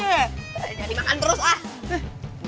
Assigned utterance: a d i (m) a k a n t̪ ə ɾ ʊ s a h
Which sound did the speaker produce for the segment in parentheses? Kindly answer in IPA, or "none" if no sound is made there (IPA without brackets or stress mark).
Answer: m